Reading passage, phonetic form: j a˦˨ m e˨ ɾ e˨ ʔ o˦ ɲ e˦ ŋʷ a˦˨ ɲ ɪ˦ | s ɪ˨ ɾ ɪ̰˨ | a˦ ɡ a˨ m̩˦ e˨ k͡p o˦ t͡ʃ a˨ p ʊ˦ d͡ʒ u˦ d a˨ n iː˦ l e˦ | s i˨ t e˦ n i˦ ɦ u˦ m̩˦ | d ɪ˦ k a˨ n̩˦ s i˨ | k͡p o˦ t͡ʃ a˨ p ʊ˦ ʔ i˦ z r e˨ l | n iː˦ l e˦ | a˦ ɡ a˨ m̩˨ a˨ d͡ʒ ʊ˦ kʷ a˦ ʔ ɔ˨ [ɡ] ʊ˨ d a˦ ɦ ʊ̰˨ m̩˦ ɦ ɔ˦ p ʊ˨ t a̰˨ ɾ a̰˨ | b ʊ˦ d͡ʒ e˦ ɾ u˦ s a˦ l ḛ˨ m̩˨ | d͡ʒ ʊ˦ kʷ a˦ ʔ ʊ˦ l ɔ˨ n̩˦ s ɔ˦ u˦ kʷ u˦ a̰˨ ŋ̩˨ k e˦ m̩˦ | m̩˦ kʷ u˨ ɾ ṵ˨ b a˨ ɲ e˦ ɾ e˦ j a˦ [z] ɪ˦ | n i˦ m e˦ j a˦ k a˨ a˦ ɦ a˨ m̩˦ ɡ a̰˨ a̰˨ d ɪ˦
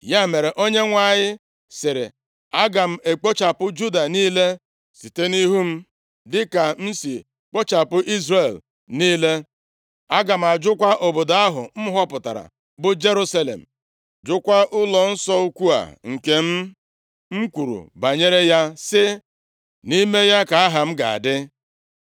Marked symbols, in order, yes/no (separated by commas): no, no